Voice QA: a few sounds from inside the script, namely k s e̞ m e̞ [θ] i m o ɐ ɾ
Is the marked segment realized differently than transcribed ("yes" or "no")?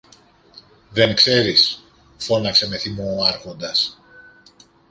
no